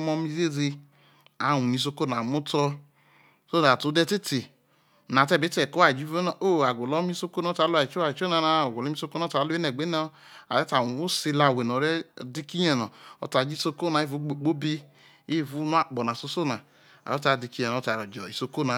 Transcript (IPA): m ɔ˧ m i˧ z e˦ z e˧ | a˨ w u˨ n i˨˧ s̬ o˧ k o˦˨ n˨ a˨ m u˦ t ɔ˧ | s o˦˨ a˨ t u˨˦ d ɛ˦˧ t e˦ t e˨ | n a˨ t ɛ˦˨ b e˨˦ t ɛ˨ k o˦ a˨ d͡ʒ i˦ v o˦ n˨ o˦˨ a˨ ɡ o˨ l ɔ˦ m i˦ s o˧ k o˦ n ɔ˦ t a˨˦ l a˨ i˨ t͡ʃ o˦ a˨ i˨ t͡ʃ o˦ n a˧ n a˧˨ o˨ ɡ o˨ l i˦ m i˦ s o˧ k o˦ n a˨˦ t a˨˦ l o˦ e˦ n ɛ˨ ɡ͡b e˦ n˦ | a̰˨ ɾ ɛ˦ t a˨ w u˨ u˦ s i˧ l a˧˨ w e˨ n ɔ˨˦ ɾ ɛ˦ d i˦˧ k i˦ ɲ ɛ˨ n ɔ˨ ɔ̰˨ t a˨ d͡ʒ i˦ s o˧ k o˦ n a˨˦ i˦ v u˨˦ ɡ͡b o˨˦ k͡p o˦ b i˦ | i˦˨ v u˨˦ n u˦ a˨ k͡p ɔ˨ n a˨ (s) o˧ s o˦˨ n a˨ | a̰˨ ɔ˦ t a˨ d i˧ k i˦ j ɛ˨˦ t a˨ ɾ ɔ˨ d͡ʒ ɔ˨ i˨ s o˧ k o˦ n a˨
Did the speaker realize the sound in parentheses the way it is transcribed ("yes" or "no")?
yes